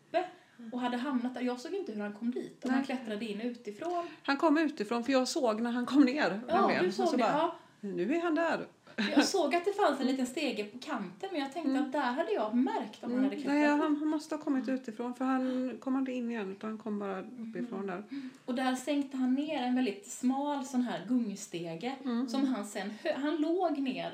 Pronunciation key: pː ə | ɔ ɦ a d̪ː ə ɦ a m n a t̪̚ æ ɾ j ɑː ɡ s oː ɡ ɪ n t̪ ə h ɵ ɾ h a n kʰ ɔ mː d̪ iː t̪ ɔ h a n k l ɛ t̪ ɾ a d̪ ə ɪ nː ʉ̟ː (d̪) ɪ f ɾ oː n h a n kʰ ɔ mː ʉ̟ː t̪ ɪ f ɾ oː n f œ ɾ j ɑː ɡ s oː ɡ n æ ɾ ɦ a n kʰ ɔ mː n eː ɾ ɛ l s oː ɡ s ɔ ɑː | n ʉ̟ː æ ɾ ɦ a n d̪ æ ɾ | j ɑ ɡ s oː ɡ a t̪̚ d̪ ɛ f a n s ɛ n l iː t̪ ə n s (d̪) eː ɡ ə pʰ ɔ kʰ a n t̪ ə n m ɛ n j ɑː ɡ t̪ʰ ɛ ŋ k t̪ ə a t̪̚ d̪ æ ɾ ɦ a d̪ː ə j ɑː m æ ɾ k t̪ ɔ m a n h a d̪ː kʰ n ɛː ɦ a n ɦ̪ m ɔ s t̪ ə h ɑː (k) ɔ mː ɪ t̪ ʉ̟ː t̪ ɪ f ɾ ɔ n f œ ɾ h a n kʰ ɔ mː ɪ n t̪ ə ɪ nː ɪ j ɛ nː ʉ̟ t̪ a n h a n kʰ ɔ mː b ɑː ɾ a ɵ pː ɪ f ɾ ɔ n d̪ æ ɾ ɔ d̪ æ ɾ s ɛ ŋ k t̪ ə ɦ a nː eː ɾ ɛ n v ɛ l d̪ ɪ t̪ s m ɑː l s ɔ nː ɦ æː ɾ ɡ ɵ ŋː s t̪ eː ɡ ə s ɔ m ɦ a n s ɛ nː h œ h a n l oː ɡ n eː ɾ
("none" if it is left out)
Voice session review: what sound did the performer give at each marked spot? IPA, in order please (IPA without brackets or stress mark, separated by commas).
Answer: t̪, t̪, kʰ